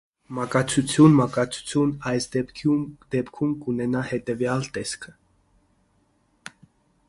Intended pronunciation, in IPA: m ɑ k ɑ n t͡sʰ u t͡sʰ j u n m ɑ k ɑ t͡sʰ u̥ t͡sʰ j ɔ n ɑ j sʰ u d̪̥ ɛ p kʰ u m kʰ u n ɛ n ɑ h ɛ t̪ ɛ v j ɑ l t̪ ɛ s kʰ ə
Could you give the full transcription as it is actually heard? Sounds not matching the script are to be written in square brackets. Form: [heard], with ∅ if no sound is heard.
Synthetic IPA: m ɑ k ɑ [∅] t͡sʰ u t͡sʰ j u n m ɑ k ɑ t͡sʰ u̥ t͡sʰ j [u] n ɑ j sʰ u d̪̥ ɛ p kʰ u m [k] u n ɛ n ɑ h ɛ t̪ ɛ v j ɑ l t̪ ɛ s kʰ ə

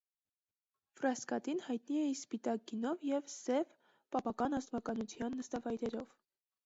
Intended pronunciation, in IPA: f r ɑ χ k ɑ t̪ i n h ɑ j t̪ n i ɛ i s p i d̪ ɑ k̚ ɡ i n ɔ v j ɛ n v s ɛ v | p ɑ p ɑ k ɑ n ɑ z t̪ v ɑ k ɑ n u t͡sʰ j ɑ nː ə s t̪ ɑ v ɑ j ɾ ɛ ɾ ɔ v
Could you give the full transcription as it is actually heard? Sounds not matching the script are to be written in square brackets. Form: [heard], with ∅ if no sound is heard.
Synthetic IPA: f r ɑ [s] k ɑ t̪ i n h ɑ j t̪ n i ɛ i s p i [t̪] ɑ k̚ ɡ i n ɔ v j ɛ [∅] v s ɛ v | p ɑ p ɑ k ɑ n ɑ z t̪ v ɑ k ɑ n u t͡sʰ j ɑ nː ə s t̪ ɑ v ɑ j ɾ ɛ ɾ ɔ v

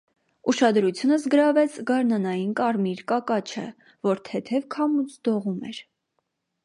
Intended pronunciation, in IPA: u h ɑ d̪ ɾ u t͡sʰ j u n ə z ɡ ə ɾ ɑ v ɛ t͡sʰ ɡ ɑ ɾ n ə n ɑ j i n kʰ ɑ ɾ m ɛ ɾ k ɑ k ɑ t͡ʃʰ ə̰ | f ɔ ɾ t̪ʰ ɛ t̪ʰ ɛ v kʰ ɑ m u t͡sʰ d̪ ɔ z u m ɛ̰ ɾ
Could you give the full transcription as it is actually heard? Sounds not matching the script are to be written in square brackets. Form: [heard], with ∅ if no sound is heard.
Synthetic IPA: u [ʃ] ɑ d̪ ɾ u t͡sʰ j u n ə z ɡ ə ɾ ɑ v ɛ t͡sʰ ɡ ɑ ɾ n [ɑ] n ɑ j i n [k] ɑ ɾ m [i] ɾ k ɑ k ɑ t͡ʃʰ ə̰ | [v] ɔ ɾ t̪ʰ ɛ t̪ʰ ɛ v kʰ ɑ m u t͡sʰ d̪ ɔ [ʁ] u m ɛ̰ ɾ

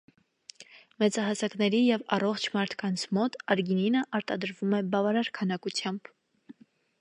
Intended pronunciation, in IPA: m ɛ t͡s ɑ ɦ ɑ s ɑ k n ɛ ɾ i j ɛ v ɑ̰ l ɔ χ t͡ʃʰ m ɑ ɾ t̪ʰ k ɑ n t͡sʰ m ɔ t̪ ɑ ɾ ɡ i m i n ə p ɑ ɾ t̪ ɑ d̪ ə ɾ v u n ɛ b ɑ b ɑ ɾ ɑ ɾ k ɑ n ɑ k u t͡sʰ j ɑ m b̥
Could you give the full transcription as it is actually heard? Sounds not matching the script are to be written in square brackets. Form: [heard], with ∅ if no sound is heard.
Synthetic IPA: m ɛ t͡s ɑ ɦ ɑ s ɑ k n ɛ ɾ i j ɛ v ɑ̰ [r] ɔ χ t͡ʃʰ m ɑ ɾ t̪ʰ k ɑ n t͡sʰ m ɔ t̪ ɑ ɾ ɡ i [n] i n ə [ʔ] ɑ ɾ t̪ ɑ d̪ ə ɾ v u [m] ɛ b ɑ [v] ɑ ɾ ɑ ɾ [kʰ] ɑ n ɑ k u t͡sʰ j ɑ m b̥

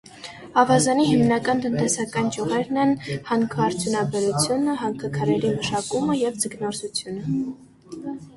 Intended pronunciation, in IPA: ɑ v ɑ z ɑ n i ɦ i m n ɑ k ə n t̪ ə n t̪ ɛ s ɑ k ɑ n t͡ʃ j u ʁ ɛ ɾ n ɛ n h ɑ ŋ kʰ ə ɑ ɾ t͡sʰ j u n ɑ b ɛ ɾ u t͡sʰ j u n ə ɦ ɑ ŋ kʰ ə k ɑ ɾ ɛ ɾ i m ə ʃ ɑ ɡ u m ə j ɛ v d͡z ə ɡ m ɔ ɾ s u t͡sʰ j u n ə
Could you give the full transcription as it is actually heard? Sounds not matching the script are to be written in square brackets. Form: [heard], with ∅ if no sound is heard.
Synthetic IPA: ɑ v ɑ z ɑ n i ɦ i m n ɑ k [ɑ] n t̪ ə n t̪ ɛ s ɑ k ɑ n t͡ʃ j u ʁ ɛ ɾ n ɛ n h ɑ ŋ kʰ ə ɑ ɾ t͡sʰ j u n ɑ b ɛ ɾ u t͡sʰ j u n ə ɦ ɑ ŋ kʰ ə [kʰ] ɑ ɾ ɛ ɾ i m ə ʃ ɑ [k] u m ə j ɛ v d͡z ə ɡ [n] ɔ ɾ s u t͡sʰ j u n ə

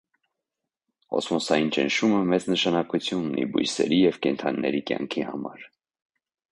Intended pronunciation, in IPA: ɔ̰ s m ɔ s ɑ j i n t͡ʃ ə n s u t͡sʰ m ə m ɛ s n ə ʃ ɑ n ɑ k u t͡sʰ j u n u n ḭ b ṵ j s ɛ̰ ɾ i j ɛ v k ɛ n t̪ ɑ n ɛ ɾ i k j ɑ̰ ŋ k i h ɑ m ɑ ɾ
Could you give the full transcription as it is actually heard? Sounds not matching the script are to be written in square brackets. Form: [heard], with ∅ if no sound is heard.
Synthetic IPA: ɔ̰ s m ɔ s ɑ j i n t͡ʃ ə n [ʃ] u [∅] m ə m ɛ [t͡s] n ə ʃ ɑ n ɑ k u t͡sʰ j u n u n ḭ b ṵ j s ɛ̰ ɾ i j ɛ v k ɛ n [t̪ʰ] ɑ [nː] ɛ ɾ i k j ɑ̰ ŋ [kʰ] i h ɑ m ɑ ɾ

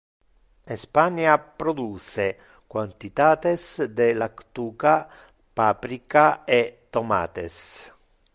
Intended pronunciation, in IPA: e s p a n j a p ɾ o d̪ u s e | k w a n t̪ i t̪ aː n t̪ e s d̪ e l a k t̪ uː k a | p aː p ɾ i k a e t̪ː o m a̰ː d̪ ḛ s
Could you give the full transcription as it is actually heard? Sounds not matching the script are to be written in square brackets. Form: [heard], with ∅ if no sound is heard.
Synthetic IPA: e s p a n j a p ɾ o d̪ u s e | k w a n t̪ i t̪ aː [∅] t̪ e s d̪ e l a k t̪ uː k a | p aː p ɾ i k a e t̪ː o m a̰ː [t̪] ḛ s

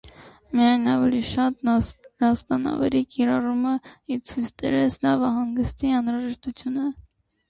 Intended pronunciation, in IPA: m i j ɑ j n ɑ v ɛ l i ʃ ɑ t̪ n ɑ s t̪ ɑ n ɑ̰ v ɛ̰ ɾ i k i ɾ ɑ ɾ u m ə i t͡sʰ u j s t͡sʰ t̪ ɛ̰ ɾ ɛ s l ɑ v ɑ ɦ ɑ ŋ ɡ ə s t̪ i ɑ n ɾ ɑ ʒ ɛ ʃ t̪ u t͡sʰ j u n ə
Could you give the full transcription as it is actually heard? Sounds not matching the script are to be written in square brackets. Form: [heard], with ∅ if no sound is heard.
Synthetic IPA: m i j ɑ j n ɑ v ɛ l i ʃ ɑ t̪ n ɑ s t̪ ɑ n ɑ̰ v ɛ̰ ɾ i k i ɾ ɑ [r] u m ə i t͡sʰ u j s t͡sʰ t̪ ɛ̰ ɾ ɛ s l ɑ v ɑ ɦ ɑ ŋ ɡ ə s t̪ i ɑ n ɾ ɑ ʒ ɛ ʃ t̪ u t͡sʰ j u n ə

